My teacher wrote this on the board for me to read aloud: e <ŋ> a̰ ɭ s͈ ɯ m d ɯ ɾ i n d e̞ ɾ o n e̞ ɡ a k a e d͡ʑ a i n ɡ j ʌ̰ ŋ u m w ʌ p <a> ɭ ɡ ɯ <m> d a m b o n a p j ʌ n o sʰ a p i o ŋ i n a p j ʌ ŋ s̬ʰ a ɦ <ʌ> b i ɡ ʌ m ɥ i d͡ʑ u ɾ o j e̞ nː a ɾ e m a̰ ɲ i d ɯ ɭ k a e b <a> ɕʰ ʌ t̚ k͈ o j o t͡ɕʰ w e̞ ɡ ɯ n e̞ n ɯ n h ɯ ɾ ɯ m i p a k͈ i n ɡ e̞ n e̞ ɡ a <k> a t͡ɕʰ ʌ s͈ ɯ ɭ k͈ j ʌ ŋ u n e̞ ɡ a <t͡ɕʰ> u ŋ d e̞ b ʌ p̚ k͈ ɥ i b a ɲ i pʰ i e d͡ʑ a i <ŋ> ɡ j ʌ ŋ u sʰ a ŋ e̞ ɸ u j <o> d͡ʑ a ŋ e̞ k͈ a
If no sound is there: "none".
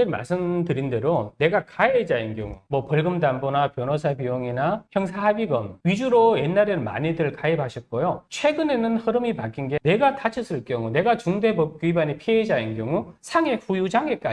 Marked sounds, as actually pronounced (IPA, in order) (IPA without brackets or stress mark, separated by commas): m, ʌ, m, a, a, t, t͡ɕ, n, u